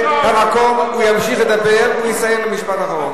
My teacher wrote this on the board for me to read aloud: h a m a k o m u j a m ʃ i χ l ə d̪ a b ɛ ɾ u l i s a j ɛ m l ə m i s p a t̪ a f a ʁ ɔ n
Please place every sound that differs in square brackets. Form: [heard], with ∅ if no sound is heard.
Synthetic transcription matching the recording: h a m a k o m u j a m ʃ i χ l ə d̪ a b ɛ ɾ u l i s a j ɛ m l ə m i [ʃ] p a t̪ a [χ] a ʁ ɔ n